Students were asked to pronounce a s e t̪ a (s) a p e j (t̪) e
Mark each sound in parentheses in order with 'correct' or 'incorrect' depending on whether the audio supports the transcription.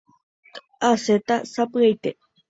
correct, correct

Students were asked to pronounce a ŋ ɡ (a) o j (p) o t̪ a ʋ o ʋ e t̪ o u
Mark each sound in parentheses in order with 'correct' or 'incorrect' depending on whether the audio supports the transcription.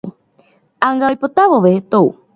correct, correct

